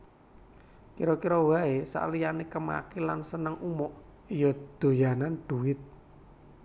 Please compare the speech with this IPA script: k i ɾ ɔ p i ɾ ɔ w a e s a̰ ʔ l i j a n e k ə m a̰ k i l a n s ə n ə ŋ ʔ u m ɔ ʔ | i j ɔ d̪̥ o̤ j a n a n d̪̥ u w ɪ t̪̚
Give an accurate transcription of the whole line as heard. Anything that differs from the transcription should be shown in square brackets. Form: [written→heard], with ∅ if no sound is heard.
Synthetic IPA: k i ɾ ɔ [p→k] i ɾ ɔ w a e s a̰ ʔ l i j a n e k ə m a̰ k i l a n s ə n ə ŋ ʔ u m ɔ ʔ | i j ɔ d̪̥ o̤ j a n a n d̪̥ u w ɪ t̪̚